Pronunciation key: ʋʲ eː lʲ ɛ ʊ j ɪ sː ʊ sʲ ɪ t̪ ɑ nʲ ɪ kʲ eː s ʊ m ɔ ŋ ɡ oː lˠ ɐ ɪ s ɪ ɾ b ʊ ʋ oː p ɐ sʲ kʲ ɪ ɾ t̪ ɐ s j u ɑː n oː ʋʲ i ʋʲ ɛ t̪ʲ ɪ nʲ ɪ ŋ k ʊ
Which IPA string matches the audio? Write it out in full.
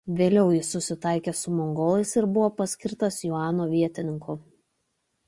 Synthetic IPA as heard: ʋʲ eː lʲ ɛ ʊ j ɪ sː ʊ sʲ ɪ t̪ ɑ ɪ kʲ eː s ʊ m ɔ ŋ ɡ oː lˠ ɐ ɪ s ɪ ɾ b ʊ ʋ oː p ɐ sʲ kʲ ɪ ɾ t̪ ɐ s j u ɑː n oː ʋʲ i ɛ t̪ʲ ɪ nʲ ɪ ŋ k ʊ